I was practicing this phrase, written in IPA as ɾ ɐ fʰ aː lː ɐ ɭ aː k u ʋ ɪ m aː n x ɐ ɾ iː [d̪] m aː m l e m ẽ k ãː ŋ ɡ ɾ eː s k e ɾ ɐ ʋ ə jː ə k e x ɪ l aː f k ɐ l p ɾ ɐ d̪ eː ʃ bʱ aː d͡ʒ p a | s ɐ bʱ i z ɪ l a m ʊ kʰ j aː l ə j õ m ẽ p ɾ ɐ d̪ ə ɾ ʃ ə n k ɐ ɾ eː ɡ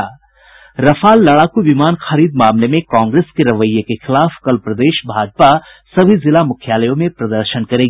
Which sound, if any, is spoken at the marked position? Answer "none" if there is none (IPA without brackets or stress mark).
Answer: d̪